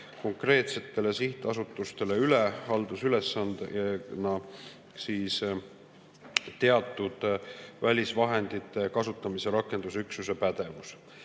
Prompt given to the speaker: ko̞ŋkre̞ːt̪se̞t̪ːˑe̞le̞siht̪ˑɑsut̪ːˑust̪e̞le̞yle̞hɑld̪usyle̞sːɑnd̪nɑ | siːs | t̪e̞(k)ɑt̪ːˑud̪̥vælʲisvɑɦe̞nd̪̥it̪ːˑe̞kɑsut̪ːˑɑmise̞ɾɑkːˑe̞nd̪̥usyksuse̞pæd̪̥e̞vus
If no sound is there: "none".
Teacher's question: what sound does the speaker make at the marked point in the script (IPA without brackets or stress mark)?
none